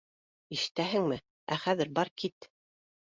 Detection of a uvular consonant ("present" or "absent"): present